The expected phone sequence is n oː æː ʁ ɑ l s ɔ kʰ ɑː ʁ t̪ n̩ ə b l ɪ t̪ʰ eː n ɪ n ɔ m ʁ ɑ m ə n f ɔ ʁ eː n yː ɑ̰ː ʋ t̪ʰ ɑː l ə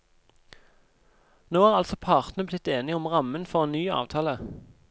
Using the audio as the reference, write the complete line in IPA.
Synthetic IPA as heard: n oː æː ʁ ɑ l s ɔ pʰ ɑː ʁ t̪ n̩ ə b l ɪ t̪ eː n ɪ ɔ m ʁ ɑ m ə n f ɔ ʁ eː n yː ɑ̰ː ʋ t̪ʰ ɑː l ə